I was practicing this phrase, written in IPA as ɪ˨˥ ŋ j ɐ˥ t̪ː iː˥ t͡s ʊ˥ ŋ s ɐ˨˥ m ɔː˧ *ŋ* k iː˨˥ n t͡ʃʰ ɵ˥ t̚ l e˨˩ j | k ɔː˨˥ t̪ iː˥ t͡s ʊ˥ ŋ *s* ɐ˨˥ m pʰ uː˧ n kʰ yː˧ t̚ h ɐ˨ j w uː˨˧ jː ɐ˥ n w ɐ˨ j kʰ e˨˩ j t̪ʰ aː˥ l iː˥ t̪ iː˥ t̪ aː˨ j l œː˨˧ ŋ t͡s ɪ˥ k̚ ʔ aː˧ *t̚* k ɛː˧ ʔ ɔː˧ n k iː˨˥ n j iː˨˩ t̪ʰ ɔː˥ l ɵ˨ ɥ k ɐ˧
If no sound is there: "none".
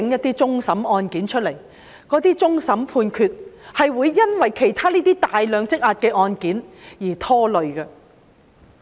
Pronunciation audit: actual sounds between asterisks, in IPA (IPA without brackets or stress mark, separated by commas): n, s, t̚